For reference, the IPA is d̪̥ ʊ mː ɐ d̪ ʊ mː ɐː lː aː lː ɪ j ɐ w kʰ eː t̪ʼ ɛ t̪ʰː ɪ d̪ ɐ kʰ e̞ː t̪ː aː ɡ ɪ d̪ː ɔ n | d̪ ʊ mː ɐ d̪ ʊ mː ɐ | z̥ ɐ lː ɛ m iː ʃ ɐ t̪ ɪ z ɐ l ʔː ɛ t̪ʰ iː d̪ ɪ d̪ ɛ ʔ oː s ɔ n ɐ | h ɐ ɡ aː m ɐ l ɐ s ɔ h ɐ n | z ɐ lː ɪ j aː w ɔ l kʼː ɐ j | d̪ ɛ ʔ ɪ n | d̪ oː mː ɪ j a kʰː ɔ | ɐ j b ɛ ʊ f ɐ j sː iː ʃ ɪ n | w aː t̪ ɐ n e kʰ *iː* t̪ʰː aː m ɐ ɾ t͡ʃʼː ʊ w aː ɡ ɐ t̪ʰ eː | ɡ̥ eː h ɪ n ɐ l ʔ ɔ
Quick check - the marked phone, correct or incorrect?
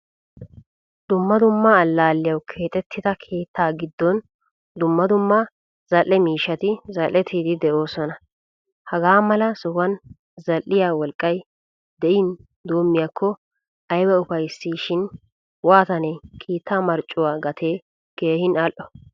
correct